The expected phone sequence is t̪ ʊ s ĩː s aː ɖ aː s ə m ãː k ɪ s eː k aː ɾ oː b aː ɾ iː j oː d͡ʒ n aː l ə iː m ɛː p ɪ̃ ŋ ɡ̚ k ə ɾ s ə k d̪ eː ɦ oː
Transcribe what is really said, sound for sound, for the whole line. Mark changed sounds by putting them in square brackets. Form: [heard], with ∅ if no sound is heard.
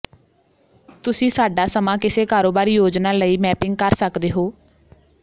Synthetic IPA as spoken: t̪ ʊ s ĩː s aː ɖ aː s ə m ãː k ɪ s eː k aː ɾ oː b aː ɾ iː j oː d͡ʒ n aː l ə iː m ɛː p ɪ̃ ŋ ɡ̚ k ə ɾ s ə k d̪ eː ɦ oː